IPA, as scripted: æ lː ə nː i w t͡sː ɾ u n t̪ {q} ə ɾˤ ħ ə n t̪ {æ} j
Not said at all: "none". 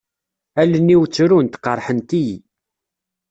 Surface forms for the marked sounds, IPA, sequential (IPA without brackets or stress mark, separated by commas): q, i